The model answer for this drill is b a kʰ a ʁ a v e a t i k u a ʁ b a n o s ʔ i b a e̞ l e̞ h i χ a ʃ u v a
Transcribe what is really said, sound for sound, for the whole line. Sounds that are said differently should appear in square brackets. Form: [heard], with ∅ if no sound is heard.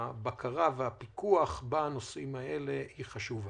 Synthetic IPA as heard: b a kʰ a ʁ a v e a [p] i k u a [χ] b a n o s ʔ i [m] a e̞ l e̞ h i χ a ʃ u v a